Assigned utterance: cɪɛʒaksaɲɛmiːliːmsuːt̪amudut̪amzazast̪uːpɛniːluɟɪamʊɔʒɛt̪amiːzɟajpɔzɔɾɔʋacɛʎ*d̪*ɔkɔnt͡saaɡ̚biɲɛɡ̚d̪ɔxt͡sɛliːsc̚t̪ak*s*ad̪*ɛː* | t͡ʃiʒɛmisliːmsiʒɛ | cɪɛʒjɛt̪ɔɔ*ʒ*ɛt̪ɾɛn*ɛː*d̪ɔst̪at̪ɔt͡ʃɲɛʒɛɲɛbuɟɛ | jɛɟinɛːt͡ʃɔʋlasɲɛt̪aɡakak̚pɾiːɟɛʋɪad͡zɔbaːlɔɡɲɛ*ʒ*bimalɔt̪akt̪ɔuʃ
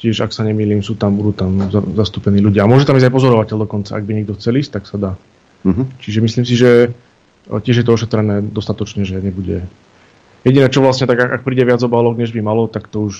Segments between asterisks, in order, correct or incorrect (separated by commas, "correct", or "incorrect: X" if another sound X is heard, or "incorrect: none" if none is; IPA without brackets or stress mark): correct, correct, incorrect: aː, incorrect: ʃ, correct, correct